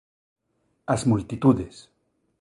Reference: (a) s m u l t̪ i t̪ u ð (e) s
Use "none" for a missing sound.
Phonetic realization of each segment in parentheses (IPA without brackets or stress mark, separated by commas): a, e